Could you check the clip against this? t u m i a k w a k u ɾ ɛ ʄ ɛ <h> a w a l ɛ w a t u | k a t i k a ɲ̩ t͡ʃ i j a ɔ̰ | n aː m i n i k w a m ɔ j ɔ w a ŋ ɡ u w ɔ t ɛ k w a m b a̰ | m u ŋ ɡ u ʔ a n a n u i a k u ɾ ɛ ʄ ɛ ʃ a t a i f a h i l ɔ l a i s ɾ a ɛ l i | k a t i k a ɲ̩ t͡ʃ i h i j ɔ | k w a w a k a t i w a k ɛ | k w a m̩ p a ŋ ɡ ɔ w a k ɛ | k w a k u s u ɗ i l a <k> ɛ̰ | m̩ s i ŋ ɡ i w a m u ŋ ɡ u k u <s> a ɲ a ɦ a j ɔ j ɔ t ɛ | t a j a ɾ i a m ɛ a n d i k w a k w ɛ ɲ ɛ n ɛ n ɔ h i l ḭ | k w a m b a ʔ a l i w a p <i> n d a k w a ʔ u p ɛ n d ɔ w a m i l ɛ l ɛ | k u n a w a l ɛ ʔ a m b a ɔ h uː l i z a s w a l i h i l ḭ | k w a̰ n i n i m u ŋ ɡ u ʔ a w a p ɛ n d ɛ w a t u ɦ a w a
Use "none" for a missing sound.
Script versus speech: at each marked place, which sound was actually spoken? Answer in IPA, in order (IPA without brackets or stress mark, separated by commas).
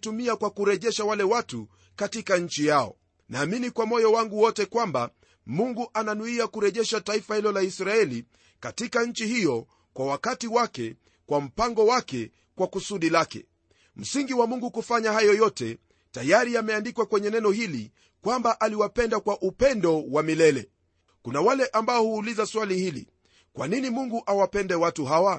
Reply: ʃ, k, f, ɛ